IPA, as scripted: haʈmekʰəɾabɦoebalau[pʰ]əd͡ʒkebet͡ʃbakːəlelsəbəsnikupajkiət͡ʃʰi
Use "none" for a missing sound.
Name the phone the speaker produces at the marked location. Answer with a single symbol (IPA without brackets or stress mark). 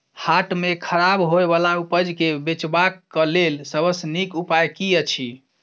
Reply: p